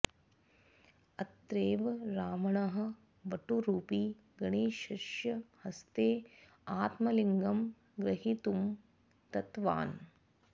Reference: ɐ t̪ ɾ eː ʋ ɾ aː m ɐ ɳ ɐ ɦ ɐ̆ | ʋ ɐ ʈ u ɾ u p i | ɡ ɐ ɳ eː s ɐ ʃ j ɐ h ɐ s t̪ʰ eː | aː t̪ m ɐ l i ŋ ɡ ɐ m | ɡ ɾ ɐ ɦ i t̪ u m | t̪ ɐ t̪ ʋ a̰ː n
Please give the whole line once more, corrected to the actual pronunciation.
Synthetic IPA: ɐ t̪ ɾ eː ʋ ɾ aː m ɐ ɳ ɐ ɦ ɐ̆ | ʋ ɐ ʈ u ɾ uː p i | ɡ ɐ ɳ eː ʃ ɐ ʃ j ɐ h ɐ s t̪ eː | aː t̪ m ɐ l i ŋ ɡ ɐ m | ɡ ɾ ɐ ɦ i t̪ u m | t̪ ɐ t̪ ʋ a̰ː n

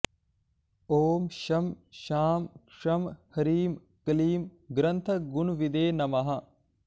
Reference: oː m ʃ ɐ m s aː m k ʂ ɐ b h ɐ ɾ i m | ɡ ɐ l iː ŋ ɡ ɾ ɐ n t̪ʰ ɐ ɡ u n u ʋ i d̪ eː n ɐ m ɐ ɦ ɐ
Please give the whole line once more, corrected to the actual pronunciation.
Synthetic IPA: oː m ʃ ɐ m ʃ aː m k ʂ ɐ m h ɐ ɾ iː m | k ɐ l iː m ɡ ɾ ɐ n t̪ʰ ɐ ɡ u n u ʋ i d̪ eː n ɐ m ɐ ɦ ɐ

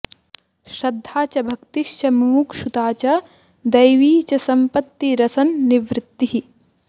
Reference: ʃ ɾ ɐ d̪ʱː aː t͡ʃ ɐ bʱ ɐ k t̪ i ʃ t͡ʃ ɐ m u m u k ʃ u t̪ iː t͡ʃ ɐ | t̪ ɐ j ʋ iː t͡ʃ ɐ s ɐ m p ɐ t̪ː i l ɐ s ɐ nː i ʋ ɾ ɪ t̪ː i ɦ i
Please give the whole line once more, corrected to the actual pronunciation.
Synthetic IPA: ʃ ɾ ɐ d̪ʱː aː t͡ʃ ɐ bʱ ɐ k t̪ i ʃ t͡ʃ ɐ m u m u k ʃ u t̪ aː t͡ʃ ɐ | d̪ ɐ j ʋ iː t͡ʃ ɐ s ɐ m p ɐ t̪ː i ɾ ɐ s ɐ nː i ʋ ɾ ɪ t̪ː i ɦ i

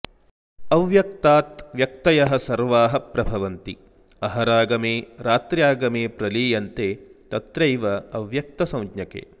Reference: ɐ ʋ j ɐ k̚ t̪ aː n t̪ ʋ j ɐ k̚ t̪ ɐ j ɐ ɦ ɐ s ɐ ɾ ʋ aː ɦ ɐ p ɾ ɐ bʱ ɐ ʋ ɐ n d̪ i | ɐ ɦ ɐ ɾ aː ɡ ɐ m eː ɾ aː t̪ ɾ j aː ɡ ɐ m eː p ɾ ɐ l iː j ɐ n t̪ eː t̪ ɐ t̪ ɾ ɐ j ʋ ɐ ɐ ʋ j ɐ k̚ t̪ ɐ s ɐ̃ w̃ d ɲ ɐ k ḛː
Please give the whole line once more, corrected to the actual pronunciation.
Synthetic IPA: ɐ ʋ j ɐ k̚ t̪ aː t̪ ʋ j ɐ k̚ t̪ ɐ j ɐ ɦ ɐ s ɐ ɾ ʋ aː ɦ ɐ p ɾ ɐ bʱ ɐ ʋ ɐ n t̪ i | ɐ ɦ ɐ ɾ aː ɡ ɐ m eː ɾ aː t̪ ɾ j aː ɡ ɐ m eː p ɾ ɐ l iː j ɐ n t̪ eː t̪ ɐ t̪ ɾ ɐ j ʋ ɐ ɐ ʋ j ɐ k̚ t̪ ɐ s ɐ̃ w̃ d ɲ ɐ k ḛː

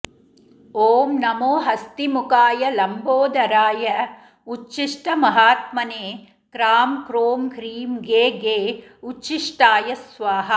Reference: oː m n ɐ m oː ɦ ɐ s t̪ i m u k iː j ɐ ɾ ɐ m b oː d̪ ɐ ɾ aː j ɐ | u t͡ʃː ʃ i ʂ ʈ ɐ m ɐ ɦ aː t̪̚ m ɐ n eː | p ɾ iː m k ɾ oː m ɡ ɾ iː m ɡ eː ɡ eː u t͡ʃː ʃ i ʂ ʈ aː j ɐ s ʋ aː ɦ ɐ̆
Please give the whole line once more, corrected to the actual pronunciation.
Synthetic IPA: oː m n ɐ m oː ɦ ɐ s t̪ i m u k aː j ɐ l ɐ m b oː d̪ ɐ ɾ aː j ɐ | u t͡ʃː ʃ i ʂ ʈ ɐ m ɐ ɦ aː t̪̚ m ɐ n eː | k ɾ aː m k ɾ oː m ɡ ɾ iː m ɡ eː ɡ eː u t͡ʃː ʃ i ʂ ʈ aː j ɐ s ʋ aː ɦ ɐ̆

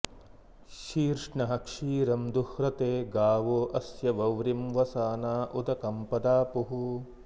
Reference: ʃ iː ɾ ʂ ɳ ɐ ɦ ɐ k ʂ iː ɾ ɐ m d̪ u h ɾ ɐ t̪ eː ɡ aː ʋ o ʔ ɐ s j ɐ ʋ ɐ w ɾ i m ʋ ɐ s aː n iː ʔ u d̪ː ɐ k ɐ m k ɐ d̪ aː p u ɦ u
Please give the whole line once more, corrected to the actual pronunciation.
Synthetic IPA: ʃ iː ɾ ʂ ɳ ɐ ɦ ɐ k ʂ iː ɾ ɐ m d̪ u h ɾ ɐ t̪ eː ɡ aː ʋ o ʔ ɐ s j ɐ ʋ ɐ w ɾ i m ʋ ɐ s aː n aː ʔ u d̪ ɐ k ɐ m p ɐ d̪ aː p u ɦ u

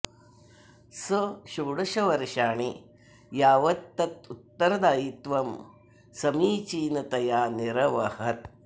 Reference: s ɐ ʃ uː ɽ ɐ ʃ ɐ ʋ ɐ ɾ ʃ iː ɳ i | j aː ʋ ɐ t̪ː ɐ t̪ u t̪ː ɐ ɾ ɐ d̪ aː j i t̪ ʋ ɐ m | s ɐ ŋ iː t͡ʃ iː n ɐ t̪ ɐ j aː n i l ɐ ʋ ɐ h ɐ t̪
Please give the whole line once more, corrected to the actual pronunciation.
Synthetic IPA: s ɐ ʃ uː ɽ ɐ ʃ ɐ ʋ ɐ ɾ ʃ aː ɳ i | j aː ʋ ɐ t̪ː ɐ t̪ u t̪ː ɐ ɾ ɐ d̪ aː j i t̪ ʋ ɐ m | s ɐ m iː t͡ʃ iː n ɐ t̪ ɐ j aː n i ɾ ɐ ʋ ɐ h ɐ t̪

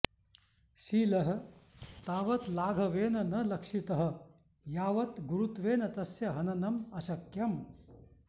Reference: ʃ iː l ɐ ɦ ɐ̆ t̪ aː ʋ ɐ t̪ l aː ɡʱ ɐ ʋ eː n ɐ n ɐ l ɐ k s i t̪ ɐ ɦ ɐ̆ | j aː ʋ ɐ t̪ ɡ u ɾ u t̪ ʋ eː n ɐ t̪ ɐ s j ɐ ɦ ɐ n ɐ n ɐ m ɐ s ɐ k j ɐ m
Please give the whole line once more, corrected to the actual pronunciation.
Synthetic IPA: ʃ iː l ɐ ɦ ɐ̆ t̪ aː ʋ ɐ t̪ l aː ɡʱ ɐ ʋ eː n ɐ n ɐ l ɐ k ʂ i t̪ ɐ ɦ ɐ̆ | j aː ʋ ɐ t̪ ɡ u ɾ u t̪ ʋ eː n ɐ t̪ ɐ s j ɐ ɦ ɐ n ɐ n ɐ m ɐ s ɐ k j ɐ m

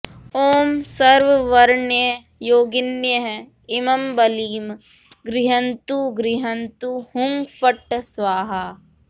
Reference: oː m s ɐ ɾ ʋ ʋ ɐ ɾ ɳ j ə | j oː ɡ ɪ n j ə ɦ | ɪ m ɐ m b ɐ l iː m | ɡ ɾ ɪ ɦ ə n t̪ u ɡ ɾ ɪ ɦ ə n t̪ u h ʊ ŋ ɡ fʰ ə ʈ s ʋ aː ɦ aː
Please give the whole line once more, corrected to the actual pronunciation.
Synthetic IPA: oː m s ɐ ɾ ʋ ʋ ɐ ɾ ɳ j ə | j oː ɡ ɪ n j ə ɦ | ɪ m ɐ m b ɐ l iː m | ɡ ɾ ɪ ɦ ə n t̪ u ɡ ɾ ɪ ɦ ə n t̪ u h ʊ ŋ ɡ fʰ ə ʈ s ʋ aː ɦ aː

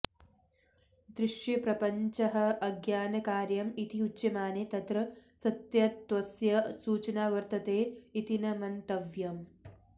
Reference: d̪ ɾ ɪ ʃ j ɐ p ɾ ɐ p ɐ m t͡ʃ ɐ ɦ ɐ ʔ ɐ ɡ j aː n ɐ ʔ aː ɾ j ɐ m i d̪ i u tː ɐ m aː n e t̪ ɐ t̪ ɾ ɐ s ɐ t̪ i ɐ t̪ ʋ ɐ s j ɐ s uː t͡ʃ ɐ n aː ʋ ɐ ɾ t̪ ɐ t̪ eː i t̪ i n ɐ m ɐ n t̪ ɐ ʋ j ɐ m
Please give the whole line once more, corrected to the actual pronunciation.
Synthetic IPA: d̪ ɾ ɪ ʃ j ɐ p ɾ ɐ p ɐ ɲ t͡ʃ ɐ ɦ ɐ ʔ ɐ ɡ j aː n ɐ k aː ɾ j ɐ m i t̪ i u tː ɐ m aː n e t̪ ɐ t̪ ɾ ɐ s ɐ t̪ j ɐ t̪ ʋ ɐ s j ɐ s uː t͡ʃ ɐ n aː ʋ ɐ ɾ t̪ ɐ t̪ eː i t̪ i n ɐ m ɐ n t̪ ɐ ʋ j ɐ m

